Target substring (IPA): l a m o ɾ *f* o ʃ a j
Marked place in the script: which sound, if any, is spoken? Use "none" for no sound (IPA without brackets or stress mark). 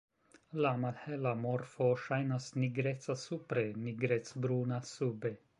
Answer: f